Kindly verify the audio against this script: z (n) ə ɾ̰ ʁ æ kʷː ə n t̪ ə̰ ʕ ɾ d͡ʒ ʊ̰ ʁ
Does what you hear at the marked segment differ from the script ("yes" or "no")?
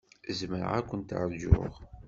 yes